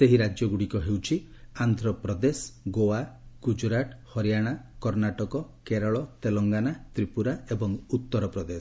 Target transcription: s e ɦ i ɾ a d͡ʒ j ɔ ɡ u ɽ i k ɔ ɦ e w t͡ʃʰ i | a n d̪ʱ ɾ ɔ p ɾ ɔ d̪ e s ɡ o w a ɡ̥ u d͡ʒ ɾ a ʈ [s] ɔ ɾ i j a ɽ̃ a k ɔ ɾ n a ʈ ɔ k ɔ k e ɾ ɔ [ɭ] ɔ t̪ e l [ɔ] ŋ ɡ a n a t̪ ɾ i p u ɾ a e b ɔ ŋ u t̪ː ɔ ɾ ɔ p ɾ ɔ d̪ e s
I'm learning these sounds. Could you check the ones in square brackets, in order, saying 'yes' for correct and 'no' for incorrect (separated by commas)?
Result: no, yes, yes